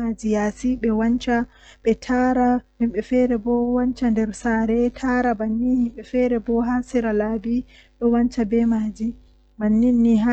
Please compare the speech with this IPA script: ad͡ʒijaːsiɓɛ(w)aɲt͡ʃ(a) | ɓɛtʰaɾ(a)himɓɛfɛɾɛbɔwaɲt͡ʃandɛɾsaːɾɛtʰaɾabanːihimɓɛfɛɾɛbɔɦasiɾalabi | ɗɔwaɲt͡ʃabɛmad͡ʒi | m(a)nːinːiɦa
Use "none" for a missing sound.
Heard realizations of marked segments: w, a, a, a

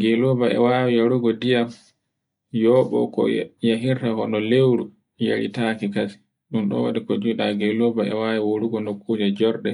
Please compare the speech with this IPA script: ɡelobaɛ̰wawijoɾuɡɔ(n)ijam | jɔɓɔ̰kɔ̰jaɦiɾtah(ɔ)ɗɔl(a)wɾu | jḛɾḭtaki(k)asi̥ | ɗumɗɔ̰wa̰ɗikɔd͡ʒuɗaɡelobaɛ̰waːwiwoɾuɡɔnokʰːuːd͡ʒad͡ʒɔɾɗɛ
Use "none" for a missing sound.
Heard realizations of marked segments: d, ɔ, e, k

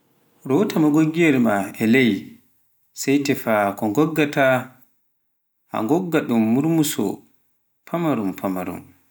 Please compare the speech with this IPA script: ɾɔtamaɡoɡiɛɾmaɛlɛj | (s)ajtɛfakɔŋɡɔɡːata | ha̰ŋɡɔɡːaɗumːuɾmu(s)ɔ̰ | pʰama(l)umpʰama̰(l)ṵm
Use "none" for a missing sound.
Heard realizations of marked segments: s, s, ɾ, ɾ

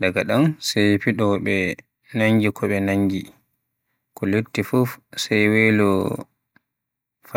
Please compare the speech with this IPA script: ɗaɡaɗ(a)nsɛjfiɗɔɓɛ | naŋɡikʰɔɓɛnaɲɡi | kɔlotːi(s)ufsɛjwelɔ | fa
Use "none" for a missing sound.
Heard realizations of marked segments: a, f

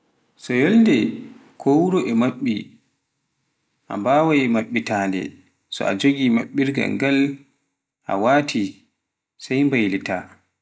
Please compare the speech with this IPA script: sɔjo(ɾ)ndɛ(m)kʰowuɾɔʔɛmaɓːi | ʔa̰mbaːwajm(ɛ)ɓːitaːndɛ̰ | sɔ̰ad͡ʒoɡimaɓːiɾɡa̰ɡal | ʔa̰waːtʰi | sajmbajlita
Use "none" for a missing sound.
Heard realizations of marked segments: l, none, a

